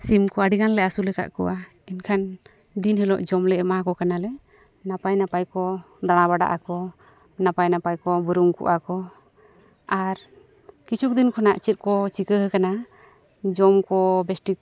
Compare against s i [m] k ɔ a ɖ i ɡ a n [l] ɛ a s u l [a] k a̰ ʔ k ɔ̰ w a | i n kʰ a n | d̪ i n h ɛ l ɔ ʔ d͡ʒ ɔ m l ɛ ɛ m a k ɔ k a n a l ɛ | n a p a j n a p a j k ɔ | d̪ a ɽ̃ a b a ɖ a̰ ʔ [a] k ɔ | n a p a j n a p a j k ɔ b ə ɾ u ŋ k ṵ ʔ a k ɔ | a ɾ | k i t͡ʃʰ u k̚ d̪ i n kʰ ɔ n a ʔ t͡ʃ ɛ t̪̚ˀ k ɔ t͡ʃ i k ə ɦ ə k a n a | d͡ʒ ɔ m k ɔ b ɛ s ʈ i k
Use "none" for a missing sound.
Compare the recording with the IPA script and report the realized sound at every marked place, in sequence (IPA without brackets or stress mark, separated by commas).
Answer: m, l, ɛ, a